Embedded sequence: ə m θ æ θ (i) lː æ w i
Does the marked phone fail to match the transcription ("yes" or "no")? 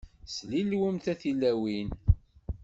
no